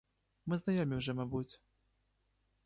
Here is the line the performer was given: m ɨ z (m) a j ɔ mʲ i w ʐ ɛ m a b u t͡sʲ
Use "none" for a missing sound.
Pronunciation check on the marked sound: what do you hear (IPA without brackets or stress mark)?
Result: n